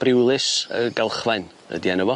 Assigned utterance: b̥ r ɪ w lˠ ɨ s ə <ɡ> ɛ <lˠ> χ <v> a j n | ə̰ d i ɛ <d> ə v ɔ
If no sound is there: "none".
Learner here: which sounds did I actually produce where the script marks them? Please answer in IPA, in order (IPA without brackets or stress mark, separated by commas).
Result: ɡ, lˠ, v, n